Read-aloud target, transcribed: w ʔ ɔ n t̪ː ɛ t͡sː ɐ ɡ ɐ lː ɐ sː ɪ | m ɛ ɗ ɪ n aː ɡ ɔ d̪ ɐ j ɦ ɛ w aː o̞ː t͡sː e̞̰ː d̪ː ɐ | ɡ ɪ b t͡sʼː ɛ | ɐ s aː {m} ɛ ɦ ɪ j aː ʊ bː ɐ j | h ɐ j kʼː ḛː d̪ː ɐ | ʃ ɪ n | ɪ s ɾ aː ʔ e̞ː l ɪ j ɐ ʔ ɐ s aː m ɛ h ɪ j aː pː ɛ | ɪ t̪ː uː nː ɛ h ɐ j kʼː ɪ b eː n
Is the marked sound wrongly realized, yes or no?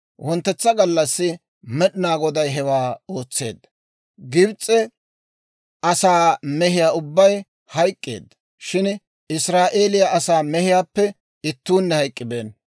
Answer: no